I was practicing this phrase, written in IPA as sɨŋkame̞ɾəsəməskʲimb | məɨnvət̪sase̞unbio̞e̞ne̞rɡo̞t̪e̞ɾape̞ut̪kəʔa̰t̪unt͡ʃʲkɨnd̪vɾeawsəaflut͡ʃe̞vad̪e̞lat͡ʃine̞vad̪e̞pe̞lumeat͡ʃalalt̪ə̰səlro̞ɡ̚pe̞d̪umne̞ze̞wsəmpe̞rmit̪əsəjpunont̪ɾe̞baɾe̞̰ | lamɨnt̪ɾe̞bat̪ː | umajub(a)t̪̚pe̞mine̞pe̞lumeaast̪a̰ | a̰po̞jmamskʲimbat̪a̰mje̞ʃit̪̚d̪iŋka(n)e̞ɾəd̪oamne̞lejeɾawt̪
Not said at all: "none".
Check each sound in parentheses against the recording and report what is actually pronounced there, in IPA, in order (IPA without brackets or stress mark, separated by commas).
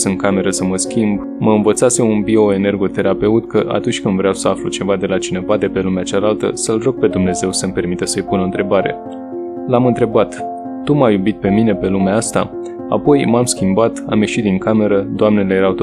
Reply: i, m